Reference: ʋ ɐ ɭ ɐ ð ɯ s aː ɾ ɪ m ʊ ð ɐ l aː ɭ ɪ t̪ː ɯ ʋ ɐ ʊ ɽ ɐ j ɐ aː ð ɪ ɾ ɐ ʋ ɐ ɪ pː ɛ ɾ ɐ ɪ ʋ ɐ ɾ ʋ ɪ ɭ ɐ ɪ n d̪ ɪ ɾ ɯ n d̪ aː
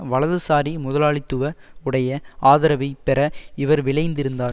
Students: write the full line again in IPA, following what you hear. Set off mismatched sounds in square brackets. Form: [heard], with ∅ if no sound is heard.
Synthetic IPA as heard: ʋ ɐ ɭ ɐ ð ɯ s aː ɾ [i] m ʊ ð ɐ l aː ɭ ɪ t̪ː ɯ ʋ ɐ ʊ ɽ ɐ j ɐ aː ð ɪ ɾ ɐ ʋ ɐ ɪ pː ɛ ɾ ɐ ɪ ʋ ɐ ɾ ʋ ɪ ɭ ɐ ɪ n d̪ ɪ ɾ ɯ n d̪ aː